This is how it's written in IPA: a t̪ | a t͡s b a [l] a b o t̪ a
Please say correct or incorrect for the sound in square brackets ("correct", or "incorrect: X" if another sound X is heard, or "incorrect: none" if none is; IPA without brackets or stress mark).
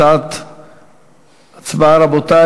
incorrect: ɾ